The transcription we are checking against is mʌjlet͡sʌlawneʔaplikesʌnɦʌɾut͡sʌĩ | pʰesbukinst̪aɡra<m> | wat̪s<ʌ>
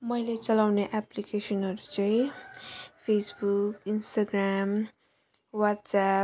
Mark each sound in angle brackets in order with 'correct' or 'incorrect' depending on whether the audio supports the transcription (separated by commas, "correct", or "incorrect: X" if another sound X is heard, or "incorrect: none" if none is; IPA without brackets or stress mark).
correct, incorrect: a